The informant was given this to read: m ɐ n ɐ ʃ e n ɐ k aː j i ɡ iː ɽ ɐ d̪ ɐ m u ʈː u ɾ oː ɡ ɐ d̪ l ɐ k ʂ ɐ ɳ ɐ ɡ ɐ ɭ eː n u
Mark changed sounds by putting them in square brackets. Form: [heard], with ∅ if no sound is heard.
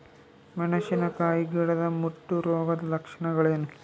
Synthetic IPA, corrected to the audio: m ɐ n ɐ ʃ [i] n ɐ k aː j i ɡ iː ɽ ɐ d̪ ɐ m u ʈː u ɾ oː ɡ ɐ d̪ l ɐ k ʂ ɐ ɳ ɐ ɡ ɐ ɭ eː n u